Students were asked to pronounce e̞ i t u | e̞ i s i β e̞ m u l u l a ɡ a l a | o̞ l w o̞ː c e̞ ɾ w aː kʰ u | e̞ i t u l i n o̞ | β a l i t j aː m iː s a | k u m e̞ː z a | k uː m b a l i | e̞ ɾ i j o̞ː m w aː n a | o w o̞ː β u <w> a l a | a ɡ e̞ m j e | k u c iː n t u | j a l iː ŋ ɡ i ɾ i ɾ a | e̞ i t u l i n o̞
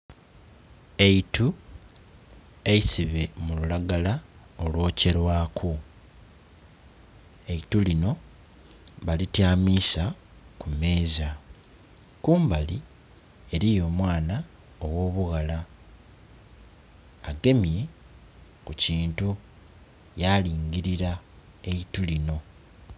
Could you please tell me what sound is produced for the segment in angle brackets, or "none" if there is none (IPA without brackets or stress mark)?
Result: ɣ